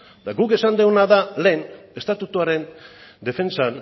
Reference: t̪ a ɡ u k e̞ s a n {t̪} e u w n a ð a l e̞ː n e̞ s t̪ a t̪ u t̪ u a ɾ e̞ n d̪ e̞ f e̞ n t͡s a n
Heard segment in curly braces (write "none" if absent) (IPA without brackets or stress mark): d̪